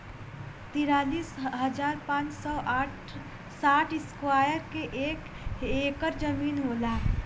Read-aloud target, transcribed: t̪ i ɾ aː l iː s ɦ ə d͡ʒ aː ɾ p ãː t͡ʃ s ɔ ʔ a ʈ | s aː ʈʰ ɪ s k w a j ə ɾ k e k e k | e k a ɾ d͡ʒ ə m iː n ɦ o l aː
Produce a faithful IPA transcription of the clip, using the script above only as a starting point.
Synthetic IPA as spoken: t̪ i ɾ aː l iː s ɦ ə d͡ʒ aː ɾ p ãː t͡ʃ s ɔ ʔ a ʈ | s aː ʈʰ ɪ s k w a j ə ɾ k e ʔ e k | e k ə ɾ d͡ʒ ə m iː n ɦ o l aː